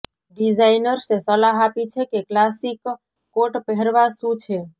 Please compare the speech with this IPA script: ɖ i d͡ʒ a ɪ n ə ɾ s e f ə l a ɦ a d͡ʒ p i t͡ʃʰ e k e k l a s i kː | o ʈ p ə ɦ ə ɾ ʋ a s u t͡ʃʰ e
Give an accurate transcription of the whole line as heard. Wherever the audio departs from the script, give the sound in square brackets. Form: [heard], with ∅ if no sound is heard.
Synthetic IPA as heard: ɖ i d͡ʒ a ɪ n ə ɾ s e [s] ə l a ɦ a [∅] p i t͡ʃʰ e k e k l a s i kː | o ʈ p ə ɦ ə ɾ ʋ a s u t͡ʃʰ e